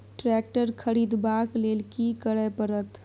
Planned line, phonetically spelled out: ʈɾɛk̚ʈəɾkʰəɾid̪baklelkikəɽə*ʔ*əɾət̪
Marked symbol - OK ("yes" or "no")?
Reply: no